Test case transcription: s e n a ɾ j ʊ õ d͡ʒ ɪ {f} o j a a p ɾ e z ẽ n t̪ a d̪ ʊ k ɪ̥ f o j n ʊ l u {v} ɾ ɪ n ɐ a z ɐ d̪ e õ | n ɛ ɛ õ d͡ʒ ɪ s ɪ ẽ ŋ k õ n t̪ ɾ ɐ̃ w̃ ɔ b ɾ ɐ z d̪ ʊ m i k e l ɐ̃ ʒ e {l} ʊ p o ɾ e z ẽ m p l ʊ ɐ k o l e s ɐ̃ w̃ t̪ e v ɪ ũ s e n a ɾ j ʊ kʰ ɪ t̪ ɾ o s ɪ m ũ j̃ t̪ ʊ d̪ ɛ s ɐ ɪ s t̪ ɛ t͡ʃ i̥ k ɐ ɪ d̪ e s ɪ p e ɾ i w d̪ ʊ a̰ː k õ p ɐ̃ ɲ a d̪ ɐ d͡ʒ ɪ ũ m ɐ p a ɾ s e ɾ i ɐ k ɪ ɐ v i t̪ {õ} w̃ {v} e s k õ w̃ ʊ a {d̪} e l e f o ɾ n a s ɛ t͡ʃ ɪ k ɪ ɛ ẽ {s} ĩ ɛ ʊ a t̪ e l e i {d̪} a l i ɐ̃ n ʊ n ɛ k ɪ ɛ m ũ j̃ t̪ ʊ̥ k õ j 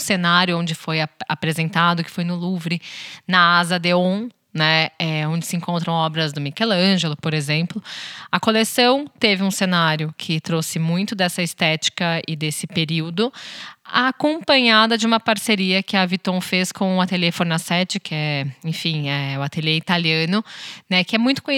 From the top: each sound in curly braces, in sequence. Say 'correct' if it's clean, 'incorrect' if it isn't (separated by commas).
correct, correct, correct, correct, incorrect, incorrect, incorrect, incorrect